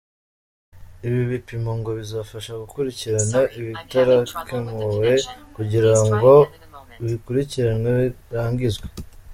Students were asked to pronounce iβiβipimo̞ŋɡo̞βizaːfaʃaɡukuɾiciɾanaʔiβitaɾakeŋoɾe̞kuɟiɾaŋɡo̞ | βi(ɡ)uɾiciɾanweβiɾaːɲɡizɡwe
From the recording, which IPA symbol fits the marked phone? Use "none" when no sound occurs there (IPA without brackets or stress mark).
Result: k